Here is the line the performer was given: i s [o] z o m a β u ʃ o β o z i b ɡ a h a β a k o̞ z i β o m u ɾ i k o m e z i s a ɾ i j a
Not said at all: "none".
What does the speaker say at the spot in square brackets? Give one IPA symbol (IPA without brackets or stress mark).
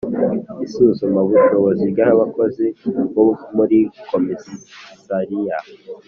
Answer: u